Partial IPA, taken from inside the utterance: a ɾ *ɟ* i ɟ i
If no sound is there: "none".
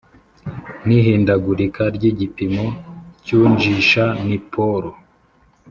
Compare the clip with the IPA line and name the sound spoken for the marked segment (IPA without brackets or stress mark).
ɟ